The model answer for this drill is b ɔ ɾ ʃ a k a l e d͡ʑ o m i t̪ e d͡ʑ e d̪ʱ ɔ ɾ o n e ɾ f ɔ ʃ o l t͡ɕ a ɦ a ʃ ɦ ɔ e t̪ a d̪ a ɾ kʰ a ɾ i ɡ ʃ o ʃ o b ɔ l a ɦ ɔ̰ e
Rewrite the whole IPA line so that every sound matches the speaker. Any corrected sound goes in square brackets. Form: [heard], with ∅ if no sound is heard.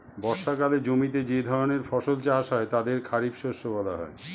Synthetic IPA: b ɔ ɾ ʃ a k a l e d͡ʑ o m i t̪ e d͡ʑ e d̪ʱ ɔ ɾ o n e ɾ f ɔ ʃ o l t͡ɕ a ɦ a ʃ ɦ ɔ e t̪ a d̪ [e] ɾ kʰ a ɾ i [b] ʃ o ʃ o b ɔ l a ɦ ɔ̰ e